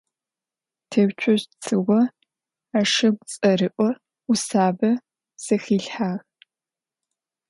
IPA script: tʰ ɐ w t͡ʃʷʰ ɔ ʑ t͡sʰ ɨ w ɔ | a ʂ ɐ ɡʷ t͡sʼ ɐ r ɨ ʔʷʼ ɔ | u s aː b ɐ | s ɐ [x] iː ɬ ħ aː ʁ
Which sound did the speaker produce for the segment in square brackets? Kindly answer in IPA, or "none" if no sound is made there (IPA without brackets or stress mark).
x